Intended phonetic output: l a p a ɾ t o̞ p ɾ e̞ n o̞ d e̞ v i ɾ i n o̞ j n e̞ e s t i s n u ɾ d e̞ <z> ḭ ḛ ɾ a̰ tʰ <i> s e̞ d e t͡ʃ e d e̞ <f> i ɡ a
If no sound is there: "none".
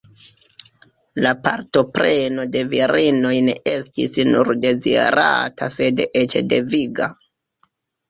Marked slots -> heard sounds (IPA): z, a, v

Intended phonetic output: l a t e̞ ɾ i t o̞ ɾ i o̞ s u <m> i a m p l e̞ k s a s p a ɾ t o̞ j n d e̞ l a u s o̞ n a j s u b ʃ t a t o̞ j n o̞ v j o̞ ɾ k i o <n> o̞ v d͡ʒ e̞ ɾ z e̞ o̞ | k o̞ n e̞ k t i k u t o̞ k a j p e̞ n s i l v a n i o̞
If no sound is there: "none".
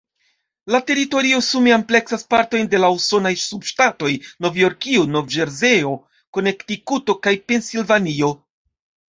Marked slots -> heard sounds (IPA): m, n

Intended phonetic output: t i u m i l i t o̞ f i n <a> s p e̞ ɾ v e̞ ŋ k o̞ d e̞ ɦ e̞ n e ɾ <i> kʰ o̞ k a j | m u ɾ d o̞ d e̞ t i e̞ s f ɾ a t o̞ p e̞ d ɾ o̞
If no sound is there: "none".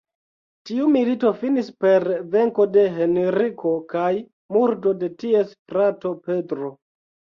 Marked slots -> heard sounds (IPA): i, i

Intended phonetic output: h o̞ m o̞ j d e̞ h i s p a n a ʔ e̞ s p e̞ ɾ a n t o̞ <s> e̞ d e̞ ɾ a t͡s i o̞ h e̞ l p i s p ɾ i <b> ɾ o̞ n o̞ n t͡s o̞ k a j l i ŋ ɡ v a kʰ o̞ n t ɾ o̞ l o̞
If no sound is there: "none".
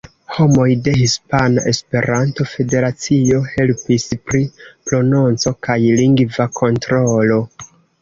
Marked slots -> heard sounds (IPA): f, p

